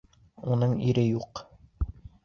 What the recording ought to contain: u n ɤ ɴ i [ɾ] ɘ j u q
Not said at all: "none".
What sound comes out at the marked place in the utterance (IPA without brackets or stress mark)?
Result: ɾ